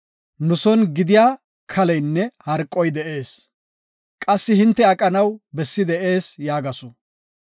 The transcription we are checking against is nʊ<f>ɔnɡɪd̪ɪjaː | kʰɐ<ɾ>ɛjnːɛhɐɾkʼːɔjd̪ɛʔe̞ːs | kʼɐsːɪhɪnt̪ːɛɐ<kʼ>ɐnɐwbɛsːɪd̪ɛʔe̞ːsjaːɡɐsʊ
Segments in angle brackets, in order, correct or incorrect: incorrect: s, incorrect: l, correct

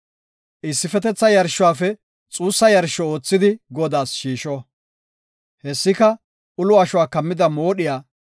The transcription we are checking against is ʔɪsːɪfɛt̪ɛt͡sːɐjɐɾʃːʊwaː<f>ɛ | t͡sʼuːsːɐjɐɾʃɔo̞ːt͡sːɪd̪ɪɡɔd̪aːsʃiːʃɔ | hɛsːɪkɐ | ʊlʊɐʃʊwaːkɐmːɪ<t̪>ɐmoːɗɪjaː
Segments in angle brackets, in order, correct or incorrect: correct, incorrect: d̪

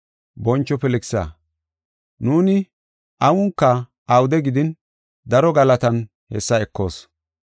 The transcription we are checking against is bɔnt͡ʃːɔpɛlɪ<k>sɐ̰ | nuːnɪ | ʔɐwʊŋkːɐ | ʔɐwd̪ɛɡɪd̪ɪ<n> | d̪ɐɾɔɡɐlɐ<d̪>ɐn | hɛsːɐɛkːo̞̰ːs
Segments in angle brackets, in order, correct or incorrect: correct, correct, incorrect: t̪

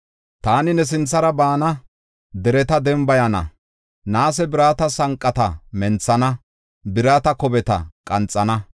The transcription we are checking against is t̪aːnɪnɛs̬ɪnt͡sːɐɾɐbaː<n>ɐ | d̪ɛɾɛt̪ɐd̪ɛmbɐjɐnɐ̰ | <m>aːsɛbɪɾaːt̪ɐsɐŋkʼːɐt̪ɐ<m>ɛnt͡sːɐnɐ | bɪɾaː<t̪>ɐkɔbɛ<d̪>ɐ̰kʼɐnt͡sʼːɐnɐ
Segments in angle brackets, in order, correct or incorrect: correct, incorrect: n, correct, correct, incorrect: t̪

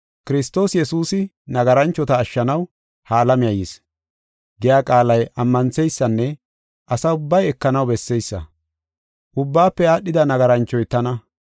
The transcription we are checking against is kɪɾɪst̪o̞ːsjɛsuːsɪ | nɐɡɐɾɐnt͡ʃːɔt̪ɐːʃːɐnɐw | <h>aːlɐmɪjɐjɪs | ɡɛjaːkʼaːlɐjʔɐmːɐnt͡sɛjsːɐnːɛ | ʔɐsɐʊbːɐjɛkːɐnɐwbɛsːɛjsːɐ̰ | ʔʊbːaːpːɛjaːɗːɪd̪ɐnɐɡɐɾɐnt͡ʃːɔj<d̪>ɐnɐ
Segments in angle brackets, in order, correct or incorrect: correct, incorrect: t̪

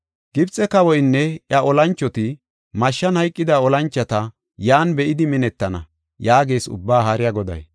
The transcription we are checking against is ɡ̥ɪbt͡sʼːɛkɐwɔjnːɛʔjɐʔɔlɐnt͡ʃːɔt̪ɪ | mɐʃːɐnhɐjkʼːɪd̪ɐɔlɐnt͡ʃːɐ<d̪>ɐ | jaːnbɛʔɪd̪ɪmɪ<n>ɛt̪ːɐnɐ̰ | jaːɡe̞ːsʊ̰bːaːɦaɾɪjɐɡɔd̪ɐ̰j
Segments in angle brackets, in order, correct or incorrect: incorrect: t̪, correct

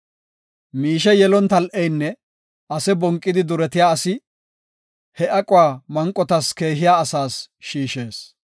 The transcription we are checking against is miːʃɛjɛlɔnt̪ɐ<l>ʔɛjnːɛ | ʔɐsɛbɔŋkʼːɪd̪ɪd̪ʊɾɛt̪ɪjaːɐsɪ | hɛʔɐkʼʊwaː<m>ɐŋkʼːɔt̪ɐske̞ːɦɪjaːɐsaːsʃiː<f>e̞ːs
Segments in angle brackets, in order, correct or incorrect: correct, correct, incorrect: ʃ

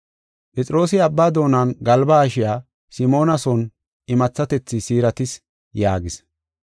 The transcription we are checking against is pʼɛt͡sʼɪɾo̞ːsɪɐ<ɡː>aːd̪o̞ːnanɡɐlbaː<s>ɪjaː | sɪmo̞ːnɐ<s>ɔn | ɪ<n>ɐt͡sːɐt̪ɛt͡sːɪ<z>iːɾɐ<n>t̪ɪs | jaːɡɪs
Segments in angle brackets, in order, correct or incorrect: incorrect: bː, incorrect: ʃ, correct, incorrect: m, incorrect: s, incorrect: none

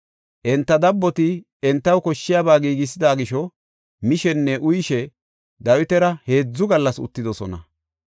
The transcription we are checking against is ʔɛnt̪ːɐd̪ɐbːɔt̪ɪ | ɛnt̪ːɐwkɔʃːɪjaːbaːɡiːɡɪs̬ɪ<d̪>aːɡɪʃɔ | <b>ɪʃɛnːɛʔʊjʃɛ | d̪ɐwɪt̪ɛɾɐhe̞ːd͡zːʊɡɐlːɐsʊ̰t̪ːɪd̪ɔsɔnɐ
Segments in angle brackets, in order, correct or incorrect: correct, incorrect: m

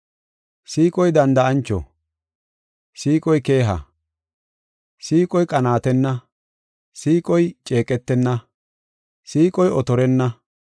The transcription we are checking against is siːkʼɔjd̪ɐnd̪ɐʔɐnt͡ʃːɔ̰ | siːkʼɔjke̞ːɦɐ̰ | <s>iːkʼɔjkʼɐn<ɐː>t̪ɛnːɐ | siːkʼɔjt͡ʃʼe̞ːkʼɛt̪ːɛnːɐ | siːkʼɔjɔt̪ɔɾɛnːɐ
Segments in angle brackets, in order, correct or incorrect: correct, incorrect: aː

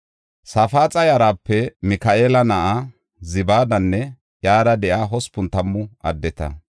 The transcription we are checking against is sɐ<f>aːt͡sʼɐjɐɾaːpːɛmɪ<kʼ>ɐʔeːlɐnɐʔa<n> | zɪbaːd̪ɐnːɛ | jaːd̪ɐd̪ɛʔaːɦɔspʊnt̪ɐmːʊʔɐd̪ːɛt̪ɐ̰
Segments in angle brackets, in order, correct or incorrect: correct, incorrect: k, incorrect: none

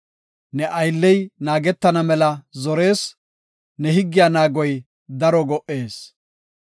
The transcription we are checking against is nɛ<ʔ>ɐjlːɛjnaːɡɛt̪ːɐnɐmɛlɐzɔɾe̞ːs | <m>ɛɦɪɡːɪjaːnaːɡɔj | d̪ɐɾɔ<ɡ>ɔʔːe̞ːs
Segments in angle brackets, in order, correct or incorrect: correct, incorrect: n, correct

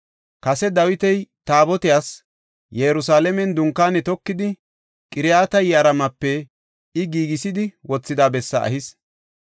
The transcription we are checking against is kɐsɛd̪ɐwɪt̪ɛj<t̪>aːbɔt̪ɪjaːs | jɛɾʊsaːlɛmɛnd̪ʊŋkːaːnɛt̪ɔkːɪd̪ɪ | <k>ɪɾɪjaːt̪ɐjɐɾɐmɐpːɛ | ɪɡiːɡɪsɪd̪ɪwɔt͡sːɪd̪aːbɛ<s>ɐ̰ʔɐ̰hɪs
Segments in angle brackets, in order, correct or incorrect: correct, incorrect: kʼ, incorrect: sː

